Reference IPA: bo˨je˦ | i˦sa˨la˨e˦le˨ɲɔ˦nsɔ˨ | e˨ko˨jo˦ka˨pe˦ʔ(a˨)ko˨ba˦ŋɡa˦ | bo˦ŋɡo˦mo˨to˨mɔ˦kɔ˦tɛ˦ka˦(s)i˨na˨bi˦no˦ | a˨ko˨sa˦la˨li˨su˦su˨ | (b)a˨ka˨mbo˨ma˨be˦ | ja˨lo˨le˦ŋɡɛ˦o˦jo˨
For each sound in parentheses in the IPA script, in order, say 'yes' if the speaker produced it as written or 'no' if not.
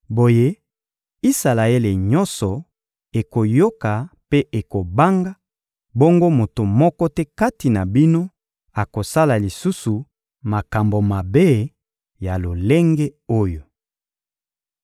no, no, no

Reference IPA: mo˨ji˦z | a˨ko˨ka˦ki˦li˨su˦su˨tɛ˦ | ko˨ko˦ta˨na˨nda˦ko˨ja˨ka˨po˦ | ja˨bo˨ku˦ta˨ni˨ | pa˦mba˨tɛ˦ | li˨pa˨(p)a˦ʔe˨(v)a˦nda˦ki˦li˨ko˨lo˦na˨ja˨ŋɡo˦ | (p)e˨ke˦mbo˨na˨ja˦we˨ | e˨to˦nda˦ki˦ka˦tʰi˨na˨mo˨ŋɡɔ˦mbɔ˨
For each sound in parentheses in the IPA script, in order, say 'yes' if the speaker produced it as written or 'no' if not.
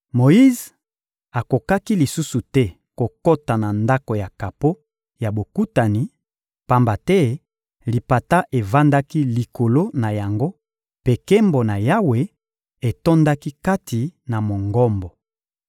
no, yes, yes

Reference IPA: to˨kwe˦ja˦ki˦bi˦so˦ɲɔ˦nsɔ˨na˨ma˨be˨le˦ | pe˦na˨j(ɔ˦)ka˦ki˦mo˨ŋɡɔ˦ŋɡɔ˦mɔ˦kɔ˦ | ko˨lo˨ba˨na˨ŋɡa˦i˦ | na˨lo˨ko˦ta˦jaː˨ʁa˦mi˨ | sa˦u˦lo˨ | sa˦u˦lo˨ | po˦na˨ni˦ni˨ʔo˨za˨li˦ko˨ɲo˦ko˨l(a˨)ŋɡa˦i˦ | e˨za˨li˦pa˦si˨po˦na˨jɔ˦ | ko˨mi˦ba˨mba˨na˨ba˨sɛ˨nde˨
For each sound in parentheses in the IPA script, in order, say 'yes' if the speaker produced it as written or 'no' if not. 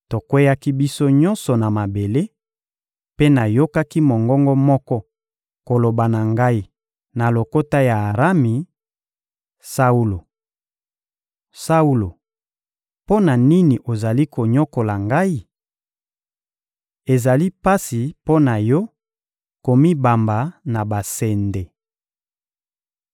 no, yes

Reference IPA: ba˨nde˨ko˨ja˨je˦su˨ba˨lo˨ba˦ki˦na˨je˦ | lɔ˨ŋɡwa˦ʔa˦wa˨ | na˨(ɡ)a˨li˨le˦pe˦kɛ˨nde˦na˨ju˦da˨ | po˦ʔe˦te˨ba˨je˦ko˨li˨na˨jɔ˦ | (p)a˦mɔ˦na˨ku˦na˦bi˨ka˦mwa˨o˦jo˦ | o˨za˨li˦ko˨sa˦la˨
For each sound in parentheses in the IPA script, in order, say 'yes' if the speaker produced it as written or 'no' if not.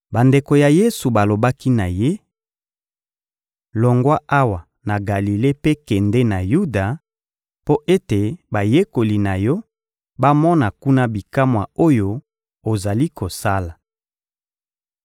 yes, no

